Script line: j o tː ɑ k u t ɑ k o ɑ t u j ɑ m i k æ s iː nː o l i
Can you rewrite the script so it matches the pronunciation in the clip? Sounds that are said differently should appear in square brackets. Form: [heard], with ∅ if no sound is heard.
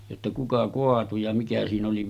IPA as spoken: j o tː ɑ k u [k] ɑ k o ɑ t u j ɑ m i k æ s iː [n] o l i